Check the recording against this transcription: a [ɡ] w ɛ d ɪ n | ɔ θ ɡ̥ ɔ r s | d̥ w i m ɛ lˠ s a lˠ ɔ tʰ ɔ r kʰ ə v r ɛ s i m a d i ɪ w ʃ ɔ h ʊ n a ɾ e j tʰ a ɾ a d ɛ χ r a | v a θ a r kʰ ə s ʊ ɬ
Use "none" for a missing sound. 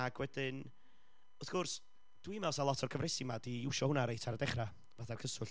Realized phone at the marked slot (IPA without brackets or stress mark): ɡ